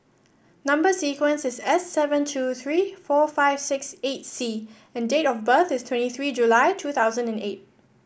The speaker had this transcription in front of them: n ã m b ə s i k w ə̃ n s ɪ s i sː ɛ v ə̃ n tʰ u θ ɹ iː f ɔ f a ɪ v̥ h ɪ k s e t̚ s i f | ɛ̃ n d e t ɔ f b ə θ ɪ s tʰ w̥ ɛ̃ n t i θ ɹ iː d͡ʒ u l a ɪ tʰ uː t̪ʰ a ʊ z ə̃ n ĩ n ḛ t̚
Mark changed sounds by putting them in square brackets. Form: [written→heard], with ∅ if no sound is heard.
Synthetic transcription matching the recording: n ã m b ə s i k w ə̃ n s ɪ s [i→ɛ] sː ɛ v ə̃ n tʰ u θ ɹ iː f ɔ f a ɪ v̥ [h→s] ɪ k s e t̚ s i [f→∅] | ɛ̃ n d e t ɔ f b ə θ ɪ s tʰ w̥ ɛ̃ n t i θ ɹ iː d͡ʒ u l a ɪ tʰ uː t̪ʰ a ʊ z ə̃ n [ĩ→ɛ̃] n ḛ t̚